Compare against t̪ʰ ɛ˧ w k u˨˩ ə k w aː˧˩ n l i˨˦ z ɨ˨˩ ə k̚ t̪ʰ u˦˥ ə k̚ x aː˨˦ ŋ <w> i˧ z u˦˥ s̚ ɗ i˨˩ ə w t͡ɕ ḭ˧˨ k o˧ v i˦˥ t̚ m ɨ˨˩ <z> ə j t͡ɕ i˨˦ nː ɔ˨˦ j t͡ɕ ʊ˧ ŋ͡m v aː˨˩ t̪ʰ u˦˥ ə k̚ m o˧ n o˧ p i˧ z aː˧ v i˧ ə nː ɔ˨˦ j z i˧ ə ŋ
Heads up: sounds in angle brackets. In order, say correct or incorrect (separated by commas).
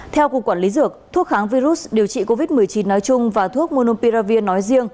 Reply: incorrect, incorrect